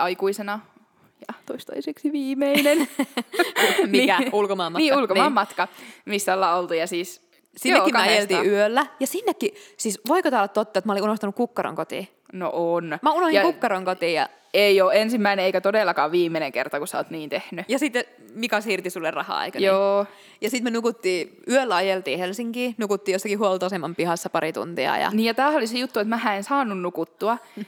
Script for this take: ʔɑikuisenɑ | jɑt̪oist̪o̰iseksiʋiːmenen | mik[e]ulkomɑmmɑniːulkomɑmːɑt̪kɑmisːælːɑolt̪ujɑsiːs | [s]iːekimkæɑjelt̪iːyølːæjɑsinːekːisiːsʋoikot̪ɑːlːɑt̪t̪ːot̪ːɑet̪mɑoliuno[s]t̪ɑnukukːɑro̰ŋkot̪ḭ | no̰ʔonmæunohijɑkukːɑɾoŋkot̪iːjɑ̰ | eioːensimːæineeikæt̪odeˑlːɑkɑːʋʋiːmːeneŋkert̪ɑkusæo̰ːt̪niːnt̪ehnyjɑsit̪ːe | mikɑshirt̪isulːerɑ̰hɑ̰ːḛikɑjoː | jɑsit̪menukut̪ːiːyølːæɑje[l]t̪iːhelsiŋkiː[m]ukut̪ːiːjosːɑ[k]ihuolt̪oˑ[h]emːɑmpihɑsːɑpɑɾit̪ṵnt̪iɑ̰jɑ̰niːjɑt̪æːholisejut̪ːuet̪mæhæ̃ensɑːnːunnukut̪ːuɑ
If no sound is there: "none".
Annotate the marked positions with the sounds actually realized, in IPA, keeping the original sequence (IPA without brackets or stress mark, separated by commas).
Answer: æ, s, h, l, n, k, s